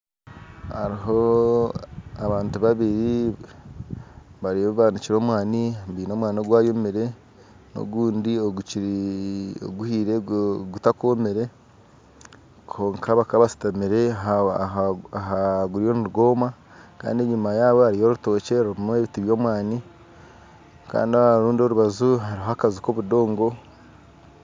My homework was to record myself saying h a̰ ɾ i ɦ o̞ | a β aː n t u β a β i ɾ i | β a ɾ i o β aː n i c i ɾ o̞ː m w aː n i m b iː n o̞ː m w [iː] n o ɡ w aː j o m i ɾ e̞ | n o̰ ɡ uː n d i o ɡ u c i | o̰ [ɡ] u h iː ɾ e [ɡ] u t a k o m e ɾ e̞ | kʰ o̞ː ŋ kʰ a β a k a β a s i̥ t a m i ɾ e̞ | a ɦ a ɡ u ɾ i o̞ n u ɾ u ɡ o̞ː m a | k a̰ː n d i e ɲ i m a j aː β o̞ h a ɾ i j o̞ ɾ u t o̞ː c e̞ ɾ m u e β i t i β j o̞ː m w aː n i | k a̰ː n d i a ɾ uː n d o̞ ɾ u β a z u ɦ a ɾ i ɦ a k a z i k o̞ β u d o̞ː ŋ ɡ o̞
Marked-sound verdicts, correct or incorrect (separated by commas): incorrect, correct, correct